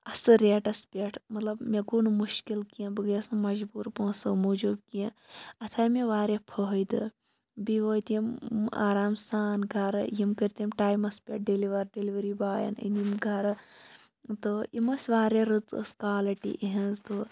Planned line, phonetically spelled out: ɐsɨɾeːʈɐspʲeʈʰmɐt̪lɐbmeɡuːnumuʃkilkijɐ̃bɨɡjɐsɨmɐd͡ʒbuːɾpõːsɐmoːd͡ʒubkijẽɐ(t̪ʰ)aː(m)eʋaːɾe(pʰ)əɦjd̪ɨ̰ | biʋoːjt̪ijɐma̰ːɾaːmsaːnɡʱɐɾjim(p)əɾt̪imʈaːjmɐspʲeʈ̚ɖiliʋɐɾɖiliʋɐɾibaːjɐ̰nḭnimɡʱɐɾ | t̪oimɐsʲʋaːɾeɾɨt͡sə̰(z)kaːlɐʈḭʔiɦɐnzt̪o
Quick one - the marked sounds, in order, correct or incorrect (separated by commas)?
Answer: correct, correct, correct, incorrect, incorrect